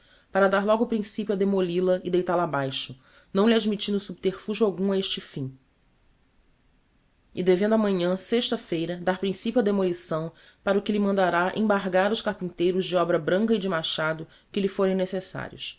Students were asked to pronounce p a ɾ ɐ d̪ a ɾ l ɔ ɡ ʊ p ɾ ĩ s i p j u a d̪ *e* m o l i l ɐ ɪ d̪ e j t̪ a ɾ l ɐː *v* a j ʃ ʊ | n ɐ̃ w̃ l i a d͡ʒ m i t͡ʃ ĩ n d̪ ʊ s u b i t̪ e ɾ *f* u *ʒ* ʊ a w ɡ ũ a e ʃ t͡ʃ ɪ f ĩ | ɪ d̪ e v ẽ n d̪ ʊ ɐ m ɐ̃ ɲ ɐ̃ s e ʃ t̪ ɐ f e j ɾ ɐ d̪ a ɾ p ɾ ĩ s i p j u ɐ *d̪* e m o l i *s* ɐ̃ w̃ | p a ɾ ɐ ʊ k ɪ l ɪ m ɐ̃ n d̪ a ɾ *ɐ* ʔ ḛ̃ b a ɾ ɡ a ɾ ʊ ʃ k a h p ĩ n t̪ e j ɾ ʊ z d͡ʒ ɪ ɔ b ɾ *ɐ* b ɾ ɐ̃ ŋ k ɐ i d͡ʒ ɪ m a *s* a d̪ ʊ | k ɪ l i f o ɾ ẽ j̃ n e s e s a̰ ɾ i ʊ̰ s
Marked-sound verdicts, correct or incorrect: correct, incorrect: b, correct, correct, correct, correct, incorrect: a, correct, incorrect: ʃ

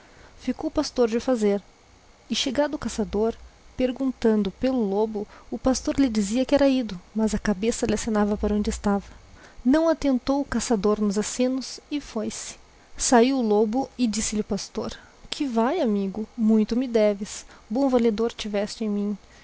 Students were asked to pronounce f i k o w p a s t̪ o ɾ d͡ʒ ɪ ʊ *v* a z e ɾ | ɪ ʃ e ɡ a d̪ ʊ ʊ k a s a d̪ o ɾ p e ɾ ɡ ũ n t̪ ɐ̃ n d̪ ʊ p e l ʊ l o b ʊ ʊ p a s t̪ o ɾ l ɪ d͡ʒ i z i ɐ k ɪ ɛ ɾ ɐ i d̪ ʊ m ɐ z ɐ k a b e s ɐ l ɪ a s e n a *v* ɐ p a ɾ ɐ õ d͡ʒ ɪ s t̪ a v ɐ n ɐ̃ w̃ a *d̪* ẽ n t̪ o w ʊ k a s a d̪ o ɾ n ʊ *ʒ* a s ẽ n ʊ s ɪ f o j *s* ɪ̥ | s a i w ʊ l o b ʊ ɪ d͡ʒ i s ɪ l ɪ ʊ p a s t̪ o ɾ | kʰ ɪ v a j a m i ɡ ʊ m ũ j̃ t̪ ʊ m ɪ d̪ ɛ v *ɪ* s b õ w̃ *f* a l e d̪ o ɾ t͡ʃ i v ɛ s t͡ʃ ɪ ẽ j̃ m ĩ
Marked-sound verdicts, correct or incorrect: incorrect: f, correct, incorrect: t̪, incorrect: z, correct, correct, incorrect: v

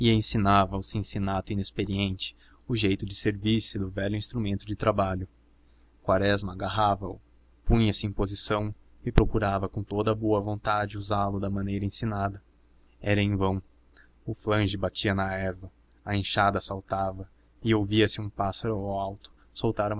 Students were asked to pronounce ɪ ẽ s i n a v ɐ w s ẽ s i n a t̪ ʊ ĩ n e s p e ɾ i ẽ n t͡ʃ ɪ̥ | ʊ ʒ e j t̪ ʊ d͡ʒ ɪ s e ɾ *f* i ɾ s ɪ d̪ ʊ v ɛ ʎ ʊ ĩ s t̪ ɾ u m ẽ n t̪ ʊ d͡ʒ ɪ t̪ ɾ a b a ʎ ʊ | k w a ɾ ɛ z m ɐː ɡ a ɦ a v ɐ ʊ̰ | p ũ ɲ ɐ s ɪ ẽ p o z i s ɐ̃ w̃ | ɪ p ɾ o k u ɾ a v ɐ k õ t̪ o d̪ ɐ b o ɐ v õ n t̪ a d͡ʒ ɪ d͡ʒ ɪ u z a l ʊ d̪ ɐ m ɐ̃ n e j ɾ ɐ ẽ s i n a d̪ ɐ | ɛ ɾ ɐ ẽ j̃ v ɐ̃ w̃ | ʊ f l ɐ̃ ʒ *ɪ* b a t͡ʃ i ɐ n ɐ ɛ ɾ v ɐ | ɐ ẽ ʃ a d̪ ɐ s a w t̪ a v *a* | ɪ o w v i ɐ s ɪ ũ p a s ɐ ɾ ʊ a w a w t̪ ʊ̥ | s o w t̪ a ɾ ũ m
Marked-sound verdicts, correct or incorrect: incorrect: v, correct, incorrect: ɐ

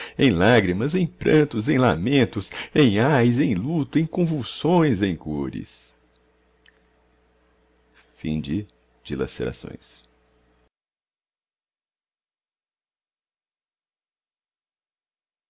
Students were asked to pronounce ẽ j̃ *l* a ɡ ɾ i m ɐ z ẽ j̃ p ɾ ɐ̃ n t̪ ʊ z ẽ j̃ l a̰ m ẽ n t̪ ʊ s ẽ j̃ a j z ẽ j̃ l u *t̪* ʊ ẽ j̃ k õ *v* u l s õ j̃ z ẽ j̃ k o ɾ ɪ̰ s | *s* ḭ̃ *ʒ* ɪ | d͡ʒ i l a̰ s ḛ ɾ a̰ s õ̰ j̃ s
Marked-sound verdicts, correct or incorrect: correct, correct, correct, incorrect: f, incorrect: d͡ʒ

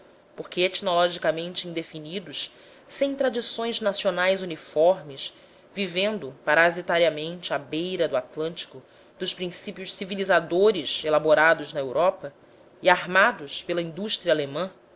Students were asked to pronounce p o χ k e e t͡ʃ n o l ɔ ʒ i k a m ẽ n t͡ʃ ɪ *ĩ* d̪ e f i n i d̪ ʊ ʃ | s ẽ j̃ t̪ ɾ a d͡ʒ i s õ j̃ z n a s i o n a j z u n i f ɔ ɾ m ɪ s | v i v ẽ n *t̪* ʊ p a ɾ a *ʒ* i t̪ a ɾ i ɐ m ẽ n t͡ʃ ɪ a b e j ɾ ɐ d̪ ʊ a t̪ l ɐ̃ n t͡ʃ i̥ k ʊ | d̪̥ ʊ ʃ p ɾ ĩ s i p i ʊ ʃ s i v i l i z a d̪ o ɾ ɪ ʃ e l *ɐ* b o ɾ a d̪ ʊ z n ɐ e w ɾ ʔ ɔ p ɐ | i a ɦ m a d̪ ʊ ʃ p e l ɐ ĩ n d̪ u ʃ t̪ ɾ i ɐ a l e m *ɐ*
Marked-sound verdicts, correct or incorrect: correct, incorrect: d̪, incorrect: z, incorrect: a, incorrect: ɐ̃

